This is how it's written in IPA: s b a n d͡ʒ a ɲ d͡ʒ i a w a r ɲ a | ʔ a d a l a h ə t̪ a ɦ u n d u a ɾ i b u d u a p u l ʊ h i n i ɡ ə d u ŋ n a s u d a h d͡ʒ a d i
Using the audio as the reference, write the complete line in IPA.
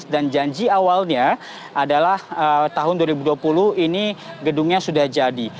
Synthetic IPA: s d a n d͡ʒ a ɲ d͡ʒ i a w a l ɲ a | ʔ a d a l a h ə t̪ a ɦ ʊ n d u a ɾ i b u d u a p u l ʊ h i n i ɡ ə d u ŋ ɲ a s u d a h d͡ʒ a d i